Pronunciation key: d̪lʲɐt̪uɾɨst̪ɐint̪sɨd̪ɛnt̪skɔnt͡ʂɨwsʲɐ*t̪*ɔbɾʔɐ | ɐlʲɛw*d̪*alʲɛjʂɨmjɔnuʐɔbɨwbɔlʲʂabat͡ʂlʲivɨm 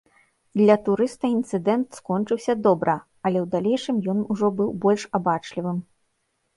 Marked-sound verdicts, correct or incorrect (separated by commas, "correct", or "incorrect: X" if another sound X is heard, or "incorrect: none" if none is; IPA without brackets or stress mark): incorrect: d̪, correct